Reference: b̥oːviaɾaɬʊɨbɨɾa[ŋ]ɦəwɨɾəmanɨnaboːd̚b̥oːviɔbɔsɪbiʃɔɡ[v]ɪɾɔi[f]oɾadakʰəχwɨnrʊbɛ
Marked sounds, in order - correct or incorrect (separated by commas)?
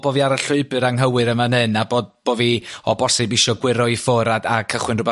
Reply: correct, incorrect, correct